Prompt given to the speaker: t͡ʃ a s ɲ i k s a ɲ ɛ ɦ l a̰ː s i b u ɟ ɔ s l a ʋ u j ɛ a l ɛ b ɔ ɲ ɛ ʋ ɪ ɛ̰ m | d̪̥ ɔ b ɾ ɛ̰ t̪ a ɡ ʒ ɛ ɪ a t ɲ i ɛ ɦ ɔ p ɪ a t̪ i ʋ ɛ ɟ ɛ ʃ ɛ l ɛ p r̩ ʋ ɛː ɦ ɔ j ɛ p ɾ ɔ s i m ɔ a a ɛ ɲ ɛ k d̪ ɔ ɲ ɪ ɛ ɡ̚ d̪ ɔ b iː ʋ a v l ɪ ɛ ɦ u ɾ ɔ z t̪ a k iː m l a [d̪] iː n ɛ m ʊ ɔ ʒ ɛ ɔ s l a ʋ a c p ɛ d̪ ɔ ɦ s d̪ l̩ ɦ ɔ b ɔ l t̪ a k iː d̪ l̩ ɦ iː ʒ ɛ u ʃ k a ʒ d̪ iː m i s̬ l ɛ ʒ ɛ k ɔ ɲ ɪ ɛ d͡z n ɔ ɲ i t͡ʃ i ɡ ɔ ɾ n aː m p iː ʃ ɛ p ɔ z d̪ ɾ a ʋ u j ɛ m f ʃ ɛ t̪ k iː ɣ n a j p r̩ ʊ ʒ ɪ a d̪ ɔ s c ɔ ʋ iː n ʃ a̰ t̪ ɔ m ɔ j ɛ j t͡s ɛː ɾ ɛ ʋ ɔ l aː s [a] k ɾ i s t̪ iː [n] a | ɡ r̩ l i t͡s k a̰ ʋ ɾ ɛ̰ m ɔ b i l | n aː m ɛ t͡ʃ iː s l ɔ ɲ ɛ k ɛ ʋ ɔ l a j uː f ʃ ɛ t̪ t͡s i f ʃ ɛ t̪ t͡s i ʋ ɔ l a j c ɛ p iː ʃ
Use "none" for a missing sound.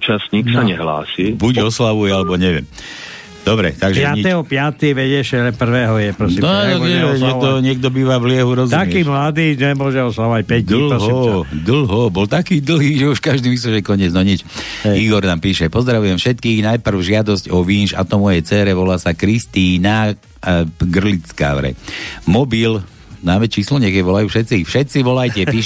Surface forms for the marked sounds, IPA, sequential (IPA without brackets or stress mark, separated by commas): d̪, a, n